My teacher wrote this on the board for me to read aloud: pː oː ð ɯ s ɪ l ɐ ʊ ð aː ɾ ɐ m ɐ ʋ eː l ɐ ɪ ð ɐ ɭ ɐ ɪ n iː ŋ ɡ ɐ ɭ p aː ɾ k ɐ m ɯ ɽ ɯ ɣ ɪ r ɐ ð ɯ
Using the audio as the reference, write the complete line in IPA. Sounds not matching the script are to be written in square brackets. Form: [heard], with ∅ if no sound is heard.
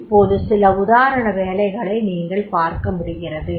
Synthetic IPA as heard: pː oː ð ɯ s ɪ l ɐ ʊ ð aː ɾ ɐ [ɳ] ɐ ʋ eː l ɐ ɪ [ɣ] ɐ ɭ ɐ ɪ n iː ŋ ɡ ɐ ɭ p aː ɾ k ɐ m [ʊ] ɽ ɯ ɣ ɪ r ɐ ð ɯ

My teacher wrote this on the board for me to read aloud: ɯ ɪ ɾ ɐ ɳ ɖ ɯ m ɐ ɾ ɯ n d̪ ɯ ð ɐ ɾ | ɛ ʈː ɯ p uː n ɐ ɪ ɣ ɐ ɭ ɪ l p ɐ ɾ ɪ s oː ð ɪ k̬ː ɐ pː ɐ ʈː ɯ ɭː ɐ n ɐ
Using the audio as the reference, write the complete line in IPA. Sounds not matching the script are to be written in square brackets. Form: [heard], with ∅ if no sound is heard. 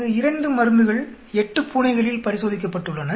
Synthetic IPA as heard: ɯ ɪ ɾ ɐ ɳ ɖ ɯ m ɐ ɾ ɯ n d̪ ɯ [ɣ] ɐ [ɭ] | ɛ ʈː ɯ p uː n ɐ ɪ ɣ ɐ ɭ ɪ l p ɐ ɾ ɪ s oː ð ɪ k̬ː ɐ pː ɐ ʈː ɯ ɭː ɐ n ɐ

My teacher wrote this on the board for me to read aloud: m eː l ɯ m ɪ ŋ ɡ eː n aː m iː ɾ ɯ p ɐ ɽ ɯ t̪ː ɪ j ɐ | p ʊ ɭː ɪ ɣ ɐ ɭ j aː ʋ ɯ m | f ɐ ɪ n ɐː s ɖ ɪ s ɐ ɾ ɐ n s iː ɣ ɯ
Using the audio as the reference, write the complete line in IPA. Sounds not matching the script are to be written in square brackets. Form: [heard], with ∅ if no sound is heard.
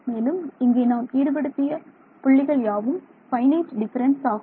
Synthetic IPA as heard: m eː l ɯ m ɪ ŋ ɡ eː n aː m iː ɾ ɯ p ɐ ɽ ɯ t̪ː ɪ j ɐ | p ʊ ɭː ɪ ɣ ɐ ɭ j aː ʋ ɯ m | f ɐ ɪ n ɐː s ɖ ɪ [f] ɐ ɾ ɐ n s [aː] ɣ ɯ

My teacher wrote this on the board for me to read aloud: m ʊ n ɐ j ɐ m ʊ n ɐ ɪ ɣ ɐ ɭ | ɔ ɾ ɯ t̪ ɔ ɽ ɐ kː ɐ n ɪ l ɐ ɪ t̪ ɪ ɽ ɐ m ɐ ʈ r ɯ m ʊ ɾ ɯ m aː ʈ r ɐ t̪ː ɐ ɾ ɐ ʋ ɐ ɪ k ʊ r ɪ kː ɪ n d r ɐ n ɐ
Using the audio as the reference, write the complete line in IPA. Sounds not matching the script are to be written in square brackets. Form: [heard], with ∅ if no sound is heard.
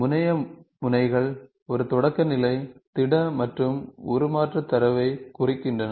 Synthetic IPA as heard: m ʊ n ɐ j ɐ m ʊ n ɐ ɪ ɣ ɐ ɭ | ɔ ɾ ɯ t̪ ɔ ɽ ɐ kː ɐ n ɪ l ɐ ɪ t̪ ɪ ɽ ɐ m ɐ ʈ r ɯ m ʊ ɾ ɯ m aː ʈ r ɐ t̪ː ɐ ɾ ɐ ʋ ɐ ɪ k ʊ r ɪ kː ɪ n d r ɐ n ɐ

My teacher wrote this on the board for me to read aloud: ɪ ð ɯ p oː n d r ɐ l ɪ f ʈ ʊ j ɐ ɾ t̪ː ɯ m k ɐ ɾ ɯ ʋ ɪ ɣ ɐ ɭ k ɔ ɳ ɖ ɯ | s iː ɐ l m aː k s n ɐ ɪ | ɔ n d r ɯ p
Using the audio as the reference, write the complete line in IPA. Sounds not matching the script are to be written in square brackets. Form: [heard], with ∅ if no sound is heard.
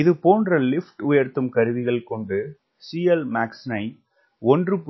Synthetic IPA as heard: ɪ ð ɯ p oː n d r ɐ l ɪ f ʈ ʊ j ɐ ɾ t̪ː ɯ m k ɐ ɾ ɯ ʋ ɪ ɣ ɐ ɭ k ɔ ɳ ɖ ɯ | s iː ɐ l m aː k s n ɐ ɪ | ɔ n d r ɯ p

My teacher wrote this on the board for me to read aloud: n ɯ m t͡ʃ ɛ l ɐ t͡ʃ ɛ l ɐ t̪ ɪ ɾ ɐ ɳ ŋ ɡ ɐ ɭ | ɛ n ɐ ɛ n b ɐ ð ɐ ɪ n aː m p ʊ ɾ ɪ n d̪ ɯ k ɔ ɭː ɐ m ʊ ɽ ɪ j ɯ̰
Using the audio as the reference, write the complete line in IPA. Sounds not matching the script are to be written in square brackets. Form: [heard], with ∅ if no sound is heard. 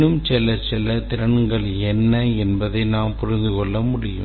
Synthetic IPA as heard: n ɯ m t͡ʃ ɛ l ɐ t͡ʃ ɛ l ɐ t̪ ɪ ɾ ɐ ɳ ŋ ɡ ɐ ɭ | ɛ [nː] ɐ ɛ n b ɐ ð ɐ ɪ n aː m p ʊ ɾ ɪ n d̪ ɯ k ɔ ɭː ɐ m ʊ ɽ ɪ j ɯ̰

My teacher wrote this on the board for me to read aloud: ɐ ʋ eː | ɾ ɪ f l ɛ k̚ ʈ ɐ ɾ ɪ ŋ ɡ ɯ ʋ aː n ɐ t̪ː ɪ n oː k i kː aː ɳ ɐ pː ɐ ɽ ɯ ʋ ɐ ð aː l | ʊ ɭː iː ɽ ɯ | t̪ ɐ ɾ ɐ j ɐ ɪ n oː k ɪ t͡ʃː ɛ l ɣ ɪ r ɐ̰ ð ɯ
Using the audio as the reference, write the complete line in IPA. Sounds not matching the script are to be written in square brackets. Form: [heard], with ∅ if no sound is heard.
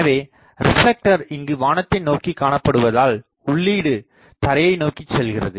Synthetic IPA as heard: ɐ ʋ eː | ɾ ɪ f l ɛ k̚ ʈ ɐ ɾ ɪ ŋ ɡ ɯ ʋ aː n ɐ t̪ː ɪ n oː k i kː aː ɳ ɐ pː ɐ ɽ ɯ ʋ ɐ ð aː l | ʊ ɭː iː ɽ ɯ | t̪ ɐ ɾ ɐ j ɐ ɪ n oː k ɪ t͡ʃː ɛ l ɣ ɪ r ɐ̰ ð ɯ

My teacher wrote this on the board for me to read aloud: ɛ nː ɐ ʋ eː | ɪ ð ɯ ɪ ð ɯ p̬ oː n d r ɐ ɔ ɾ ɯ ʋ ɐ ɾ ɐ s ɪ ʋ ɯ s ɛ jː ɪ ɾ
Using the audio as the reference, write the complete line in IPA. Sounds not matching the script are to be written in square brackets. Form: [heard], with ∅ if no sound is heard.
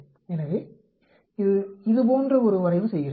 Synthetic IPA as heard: ɛ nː ɐ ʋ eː | ɪ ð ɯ ɪ ð ɯ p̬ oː n d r ɐ ɔ ɾ ɯ ʋ ɐ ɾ ɐ [∅] ɪ ʋ ɯ s ɛ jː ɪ ɾ

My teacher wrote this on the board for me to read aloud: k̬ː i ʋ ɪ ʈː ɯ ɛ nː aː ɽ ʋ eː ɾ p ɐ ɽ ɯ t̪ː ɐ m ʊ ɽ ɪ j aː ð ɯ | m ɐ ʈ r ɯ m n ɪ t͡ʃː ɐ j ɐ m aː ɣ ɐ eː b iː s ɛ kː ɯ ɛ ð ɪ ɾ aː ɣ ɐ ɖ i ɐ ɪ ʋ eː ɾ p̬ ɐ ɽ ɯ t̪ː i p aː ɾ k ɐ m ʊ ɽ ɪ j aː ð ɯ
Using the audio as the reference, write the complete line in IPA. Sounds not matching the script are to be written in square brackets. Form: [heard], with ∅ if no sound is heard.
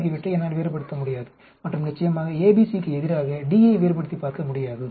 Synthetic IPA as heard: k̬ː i ʋ ɪ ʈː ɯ ɛ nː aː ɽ ʋ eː ɾ p ɐ ɽ ɯ t̪ː ɐ m ʊ ɽ ɪ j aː ð ɯ | m ɐ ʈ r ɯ m n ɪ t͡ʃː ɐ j ɐ m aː ɣ ɐ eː b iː s [i] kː ɯ ɛ ð ɪ ɾ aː ɣ ɐ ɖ i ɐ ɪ ʋ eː ɾ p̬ ɐ ɽ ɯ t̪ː i p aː ɾ k ɐ m ʊ ɽ ɪ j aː ð ɯ

